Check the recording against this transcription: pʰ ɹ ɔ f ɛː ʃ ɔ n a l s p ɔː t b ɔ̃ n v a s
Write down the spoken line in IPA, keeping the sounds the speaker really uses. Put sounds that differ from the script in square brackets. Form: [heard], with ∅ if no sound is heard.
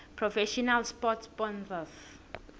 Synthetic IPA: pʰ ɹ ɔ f [ɛ] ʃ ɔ n a l s p [ɔ] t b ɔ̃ n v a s